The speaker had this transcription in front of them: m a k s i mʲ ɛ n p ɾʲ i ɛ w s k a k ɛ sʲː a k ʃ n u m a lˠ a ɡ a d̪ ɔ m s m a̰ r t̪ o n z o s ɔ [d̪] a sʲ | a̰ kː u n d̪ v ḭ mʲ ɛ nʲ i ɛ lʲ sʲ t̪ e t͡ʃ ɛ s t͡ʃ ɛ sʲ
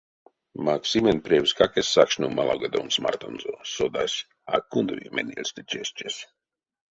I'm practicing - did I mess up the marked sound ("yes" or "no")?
no